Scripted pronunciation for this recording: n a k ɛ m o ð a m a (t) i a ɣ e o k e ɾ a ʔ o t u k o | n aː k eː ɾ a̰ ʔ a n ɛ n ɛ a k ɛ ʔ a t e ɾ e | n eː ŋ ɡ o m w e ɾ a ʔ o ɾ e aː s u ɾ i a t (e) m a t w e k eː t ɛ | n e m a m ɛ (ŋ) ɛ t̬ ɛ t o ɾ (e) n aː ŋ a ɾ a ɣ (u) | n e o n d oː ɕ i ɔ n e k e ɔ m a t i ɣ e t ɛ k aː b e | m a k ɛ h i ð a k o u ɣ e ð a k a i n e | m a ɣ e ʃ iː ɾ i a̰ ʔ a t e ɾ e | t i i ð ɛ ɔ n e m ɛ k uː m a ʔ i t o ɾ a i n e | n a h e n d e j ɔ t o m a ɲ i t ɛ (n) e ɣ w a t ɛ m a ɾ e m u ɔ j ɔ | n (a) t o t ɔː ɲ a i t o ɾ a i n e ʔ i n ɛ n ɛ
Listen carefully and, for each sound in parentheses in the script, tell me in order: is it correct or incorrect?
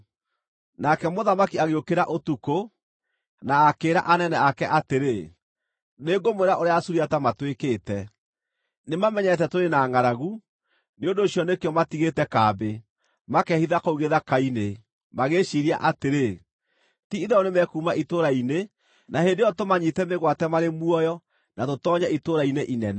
incorrect, incorrect, incorrect, correct, correct, incorrect, correct

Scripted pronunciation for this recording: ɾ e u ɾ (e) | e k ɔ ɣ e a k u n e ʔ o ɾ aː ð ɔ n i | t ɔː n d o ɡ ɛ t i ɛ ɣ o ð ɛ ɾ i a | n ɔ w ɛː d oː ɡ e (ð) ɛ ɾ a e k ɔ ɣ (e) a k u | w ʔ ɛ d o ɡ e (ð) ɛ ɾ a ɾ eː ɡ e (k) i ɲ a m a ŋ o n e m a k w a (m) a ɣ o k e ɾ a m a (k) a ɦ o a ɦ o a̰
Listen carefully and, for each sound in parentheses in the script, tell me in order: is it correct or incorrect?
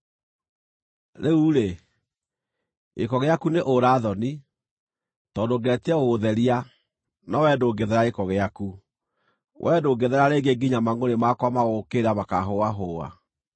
correct, correct, correct, correct, incorrect, correct, correct

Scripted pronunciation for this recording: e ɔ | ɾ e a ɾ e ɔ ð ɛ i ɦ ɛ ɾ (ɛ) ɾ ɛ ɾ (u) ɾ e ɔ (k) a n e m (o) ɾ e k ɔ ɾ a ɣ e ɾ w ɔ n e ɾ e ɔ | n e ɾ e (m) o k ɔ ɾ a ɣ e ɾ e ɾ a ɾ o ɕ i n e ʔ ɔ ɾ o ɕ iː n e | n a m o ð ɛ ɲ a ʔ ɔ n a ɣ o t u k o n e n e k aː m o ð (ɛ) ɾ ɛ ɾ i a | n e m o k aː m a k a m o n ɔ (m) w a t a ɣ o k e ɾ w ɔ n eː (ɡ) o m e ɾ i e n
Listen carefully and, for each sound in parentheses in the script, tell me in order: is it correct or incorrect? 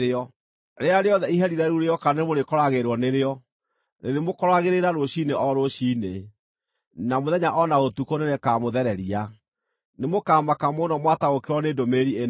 incorrect, correct, correct, correct, correct, correct, correct, incorrect

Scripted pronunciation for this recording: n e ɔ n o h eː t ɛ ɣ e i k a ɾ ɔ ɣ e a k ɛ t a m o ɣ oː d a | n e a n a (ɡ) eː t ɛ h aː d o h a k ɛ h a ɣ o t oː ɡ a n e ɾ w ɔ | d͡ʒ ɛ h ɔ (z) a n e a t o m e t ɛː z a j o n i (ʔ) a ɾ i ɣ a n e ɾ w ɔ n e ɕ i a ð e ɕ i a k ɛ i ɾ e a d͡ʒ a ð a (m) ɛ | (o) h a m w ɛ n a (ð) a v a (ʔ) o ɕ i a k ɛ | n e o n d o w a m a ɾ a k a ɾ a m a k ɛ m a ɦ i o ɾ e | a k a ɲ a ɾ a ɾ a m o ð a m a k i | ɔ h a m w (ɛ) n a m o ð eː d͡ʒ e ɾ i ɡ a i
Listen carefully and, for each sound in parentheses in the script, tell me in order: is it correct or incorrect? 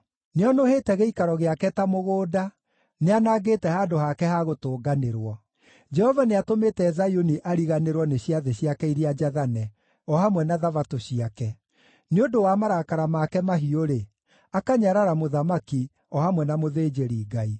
correct, incorrect, correct, incorrect, incorrect, correct, incorrect, correct

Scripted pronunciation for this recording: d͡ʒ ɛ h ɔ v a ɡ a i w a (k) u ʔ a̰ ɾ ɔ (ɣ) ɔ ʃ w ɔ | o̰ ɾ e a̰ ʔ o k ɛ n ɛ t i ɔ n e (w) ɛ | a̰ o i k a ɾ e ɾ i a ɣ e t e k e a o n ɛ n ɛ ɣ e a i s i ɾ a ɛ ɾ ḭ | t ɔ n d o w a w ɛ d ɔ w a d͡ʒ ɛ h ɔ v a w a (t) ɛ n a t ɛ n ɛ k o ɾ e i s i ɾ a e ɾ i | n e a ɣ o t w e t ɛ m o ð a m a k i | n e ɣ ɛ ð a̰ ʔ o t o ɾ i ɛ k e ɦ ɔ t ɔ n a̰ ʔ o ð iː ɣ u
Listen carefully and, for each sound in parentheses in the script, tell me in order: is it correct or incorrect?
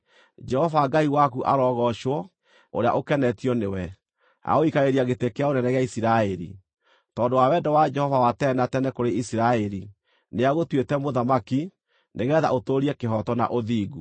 correct, correct, correct, correct

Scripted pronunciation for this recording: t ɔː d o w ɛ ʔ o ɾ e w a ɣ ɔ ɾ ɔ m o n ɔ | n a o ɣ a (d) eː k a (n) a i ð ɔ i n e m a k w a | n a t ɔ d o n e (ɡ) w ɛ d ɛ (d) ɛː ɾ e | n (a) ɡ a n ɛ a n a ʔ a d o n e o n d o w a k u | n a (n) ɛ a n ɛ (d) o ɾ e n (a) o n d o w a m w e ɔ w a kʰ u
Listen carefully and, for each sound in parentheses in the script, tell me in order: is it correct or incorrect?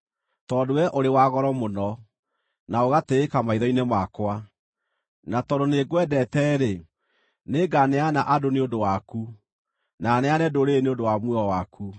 incorrect, incorrect, correct, incorrect, incorrect, correct, correct, incorrect

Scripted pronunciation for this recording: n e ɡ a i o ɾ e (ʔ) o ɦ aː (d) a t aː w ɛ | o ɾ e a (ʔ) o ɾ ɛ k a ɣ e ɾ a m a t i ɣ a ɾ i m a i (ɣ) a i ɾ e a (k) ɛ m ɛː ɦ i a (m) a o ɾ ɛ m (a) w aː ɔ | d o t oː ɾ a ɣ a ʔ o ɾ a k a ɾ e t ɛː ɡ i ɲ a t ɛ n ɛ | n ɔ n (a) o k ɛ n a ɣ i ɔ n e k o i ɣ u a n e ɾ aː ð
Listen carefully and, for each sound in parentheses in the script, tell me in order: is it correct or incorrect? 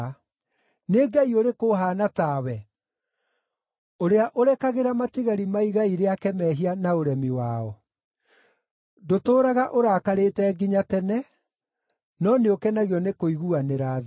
incorrect, incorrect, correct, correct, correct, incorrect, incorrect, incorrect

